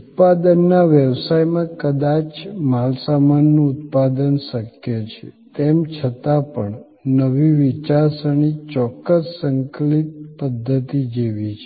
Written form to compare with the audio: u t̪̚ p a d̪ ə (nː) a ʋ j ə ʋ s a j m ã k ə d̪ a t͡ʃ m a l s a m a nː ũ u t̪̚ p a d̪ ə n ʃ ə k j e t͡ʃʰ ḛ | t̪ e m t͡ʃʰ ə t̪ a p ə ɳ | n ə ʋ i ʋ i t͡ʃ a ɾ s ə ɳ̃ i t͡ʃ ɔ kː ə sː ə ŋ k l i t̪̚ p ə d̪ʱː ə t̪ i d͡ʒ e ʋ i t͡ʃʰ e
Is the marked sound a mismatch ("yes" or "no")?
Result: no